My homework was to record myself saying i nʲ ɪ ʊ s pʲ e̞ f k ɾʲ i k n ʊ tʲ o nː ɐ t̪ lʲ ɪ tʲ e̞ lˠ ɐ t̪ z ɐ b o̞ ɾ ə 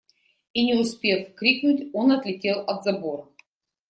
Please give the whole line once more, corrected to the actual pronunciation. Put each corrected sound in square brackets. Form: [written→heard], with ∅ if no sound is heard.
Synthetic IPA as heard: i nʲ ɪ ʊ s pʲ e̞ f k ɾʲ i k n ʊ tʲ o [nː→n] ɐ t̪ lʲ ɪ tʲ e̞ lˠ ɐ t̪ z ɐ b o̞ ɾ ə